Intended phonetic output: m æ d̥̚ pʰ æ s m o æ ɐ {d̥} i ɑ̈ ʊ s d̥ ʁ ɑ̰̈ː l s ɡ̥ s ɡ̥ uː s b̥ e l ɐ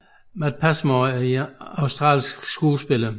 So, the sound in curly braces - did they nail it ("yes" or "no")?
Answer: no